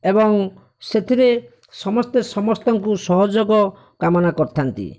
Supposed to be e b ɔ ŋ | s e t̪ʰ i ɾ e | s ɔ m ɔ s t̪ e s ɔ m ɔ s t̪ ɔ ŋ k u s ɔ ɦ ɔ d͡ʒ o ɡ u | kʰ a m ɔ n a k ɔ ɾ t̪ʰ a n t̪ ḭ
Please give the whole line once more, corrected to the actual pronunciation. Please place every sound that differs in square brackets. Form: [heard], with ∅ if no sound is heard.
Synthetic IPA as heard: e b ɔ ŋ | s e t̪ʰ i ɾ e | s ɔ m ɔ s t̪ e s ɔ m ɔ s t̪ ɔ ŋ k u s ɔ ɦ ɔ d͡ʒ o ɡ [ɔ] | [k] a m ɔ n a k ɔ ɾ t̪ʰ a n t̪ ḭ